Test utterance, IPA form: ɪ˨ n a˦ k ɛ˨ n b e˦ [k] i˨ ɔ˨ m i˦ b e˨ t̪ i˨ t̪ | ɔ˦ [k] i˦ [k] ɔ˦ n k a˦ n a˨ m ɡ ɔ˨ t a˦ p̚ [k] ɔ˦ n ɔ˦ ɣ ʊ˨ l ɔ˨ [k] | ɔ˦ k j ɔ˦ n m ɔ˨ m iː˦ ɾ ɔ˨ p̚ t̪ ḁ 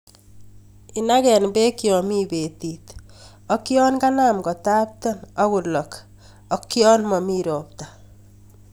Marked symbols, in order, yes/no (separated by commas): yes, yes, no, no, yes